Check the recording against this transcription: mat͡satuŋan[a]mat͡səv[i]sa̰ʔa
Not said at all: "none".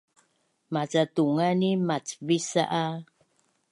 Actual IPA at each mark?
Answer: i, i

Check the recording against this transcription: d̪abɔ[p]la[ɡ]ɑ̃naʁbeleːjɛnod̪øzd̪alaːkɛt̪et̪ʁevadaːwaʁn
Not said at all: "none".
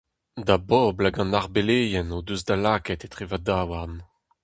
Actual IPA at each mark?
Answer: b, ɡ

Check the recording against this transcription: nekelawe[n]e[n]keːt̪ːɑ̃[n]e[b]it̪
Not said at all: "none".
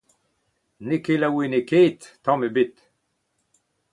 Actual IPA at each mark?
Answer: n, none, m, b

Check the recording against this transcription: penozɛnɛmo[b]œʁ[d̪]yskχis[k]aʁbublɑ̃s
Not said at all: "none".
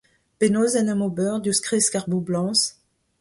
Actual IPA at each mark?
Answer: b, d̪, k

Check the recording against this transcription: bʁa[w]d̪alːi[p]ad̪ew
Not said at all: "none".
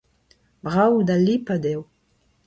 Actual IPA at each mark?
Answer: w, p

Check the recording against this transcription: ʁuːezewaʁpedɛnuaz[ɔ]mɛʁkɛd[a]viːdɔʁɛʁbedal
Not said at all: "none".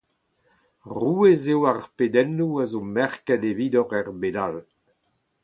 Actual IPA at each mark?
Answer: o, e

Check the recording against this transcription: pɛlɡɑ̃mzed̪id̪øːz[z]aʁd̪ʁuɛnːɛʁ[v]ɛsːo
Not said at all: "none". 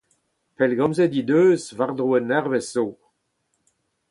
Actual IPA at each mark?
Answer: v, v

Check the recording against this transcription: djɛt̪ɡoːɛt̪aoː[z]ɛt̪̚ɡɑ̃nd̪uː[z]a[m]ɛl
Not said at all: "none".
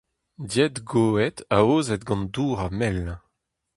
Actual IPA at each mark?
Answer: z, ʁ, m

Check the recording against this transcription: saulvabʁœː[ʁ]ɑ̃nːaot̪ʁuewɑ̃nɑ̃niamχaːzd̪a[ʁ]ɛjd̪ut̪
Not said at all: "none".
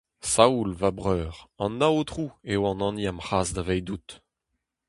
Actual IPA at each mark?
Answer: ʁ, v

